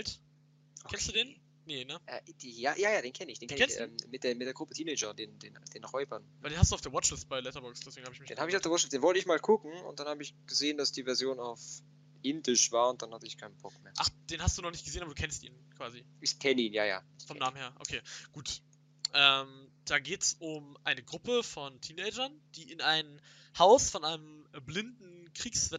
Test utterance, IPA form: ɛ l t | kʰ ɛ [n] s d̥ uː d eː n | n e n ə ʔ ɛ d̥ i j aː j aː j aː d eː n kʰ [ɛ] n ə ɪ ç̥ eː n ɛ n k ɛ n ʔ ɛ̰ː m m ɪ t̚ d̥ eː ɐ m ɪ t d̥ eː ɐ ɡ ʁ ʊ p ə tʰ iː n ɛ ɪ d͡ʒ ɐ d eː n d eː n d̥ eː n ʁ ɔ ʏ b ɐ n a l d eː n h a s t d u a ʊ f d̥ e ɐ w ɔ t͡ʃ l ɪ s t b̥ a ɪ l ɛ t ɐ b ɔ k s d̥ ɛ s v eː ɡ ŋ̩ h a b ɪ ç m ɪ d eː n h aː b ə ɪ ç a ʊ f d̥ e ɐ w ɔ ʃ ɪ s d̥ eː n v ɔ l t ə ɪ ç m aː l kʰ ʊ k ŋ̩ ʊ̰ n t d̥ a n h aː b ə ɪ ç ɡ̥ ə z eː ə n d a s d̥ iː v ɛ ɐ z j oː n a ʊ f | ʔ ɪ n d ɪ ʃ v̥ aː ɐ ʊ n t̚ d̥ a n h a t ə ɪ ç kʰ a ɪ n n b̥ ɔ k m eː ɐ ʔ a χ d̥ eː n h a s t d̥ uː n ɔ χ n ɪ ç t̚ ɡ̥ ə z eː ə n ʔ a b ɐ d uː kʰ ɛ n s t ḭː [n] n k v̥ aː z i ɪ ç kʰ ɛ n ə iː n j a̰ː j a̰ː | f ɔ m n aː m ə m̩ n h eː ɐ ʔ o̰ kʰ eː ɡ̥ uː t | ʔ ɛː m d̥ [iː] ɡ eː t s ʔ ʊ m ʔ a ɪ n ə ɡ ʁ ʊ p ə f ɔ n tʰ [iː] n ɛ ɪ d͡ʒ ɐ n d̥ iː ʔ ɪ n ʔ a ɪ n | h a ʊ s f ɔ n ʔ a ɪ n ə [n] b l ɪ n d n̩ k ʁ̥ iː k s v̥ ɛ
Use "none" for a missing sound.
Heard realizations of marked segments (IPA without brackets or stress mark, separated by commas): n, ɛ, n, aː, iː, m